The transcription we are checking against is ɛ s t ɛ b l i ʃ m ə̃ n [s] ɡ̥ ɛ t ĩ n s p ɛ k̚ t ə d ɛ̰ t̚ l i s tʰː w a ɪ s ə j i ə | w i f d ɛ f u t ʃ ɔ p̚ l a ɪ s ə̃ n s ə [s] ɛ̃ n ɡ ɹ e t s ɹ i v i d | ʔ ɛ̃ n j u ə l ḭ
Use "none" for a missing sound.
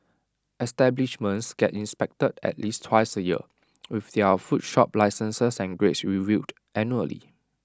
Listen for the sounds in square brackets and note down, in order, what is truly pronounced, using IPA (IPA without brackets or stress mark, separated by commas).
s, s